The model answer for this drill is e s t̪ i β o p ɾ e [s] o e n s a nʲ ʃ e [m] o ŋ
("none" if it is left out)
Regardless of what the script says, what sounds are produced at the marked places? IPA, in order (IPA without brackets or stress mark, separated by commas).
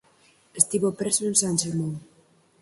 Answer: s, m